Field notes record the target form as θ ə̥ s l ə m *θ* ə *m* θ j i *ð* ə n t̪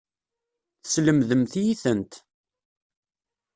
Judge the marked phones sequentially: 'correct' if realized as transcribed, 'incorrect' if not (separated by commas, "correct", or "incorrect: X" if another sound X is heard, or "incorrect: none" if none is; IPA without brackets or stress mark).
incorrect: ð, correct, incorrect: θ